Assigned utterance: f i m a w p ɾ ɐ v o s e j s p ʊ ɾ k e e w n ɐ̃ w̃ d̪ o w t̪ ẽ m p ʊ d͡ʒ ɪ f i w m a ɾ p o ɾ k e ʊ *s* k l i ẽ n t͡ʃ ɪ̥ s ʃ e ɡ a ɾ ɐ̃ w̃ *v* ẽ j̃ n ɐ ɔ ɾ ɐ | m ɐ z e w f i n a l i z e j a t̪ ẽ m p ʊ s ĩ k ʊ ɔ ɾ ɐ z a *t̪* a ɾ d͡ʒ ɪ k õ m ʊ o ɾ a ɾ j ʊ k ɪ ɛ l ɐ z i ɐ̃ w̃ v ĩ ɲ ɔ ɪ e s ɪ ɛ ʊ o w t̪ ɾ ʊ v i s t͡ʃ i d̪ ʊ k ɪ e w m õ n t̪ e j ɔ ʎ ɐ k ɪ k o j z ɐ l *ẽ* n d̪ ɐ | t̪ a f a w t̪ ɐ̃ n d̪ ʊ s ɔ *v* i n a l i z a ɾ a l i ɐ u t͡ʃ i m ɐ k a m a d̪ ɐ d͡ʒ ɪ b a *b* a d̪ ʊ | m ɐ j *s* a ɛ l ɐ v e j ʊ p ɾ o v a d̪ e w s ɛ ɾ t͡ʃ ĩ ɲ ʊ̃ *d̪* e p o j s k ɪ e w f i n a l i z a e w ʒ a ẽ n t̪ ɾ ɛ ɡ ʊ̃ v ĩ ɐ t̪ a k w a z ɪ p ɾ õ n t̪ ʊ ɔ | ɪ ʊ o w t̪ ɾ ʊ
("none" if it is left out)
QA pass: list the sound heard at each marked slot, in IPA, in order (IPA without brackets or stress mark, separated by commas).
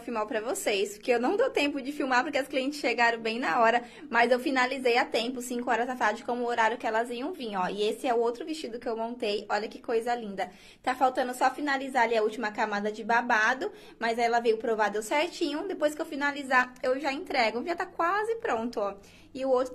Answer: s, b, t̪, ĩ, f, b, z, d̪